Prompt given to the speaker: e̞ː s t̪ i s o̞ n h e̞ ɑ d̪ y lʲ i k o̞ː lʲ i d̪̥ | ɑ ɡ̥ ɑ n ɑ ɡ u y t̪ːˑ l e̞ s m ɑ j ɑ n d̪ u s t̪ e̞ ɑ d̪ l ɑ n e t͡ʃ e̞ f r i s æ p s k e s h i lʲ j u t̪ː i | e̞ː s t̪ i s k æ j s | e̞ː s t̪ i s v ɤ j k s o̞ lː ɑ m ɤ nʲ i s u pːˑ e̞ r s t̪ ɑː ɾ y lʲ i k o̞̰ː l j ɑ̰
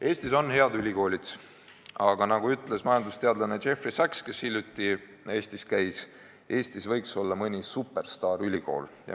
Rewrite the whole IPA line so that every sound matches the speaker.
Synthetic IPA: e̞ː s t̪ i s o̞ n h e̞ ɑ d̪ y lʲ i k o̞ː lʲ i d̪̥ | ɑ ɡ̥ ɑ n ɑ ɡ u y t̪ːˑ l e̞ s m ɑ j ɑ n d̪ u s t̪ e̞ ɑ d̪ l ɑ n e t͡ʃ e̞ f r i s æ k s k e s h i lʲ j u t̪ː i | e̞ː s t̪ i s k æ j s | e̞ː s t̪ i s v ɤ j k s o̞ lː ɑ m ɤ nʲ i s u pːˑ e̞ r s t̪ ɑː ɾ y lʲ i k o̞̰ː l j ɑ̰